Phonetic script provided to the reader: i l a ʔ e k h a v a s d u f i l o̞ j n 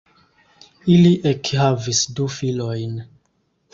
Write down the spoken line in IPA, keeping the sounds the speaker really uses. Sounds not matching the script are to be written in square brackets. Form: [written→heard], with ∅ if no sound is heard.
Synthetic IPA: i l [a→i] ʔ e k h a v [a→i] s d u f i l o̞ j n